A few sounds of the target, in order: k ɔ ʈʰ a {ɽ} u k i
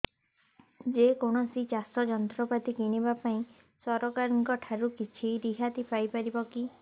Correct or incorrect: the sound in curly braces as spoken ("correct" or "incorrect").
incorrect